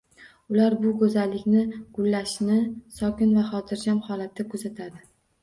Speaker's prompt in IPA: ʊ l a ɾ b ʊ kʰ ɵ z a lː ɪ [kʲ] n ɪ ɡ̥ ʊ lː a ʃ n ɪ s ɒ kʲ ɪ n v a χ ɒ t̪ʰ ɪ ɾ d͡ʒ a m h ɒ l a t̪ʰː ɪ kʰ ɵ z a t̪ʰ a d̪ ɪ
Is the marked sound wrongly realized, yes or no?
no